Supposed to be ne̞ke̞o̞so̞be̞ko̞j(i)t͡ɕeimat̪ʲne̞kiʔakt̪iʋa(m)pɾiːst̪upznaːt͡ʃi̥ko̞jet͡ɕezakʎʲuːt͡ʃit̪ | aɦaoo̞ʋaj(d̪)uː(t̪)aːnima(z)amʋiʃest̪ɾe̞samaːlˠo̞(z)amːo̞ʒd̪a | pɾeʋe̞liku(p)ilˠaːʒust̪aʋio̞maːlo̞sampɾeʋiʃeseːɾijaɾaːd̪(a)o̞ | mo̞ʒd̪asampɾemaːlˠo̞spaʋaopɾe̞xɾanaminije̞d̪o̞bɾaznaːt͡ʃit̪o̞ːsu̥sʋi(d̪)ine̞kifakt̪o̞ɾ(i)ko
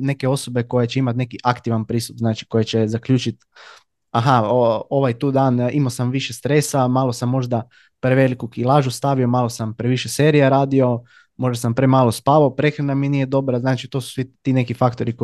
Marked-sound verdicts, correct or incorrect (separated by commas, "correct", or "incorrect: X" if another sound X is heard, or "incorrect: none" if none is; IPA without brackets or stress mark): incorrect: e, incorrect: n, incorrect: t̪, incorrect: d̪, incorrect: s, incorrect: s, incorrect: k, incorrect: i, incorrect: t̪, correct